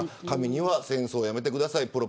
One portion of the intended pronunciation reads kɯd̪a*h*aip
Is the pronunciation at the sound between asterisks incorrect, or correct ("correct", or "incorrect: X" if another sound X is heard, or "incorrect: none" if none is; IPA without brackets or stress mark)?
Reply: incorrect: s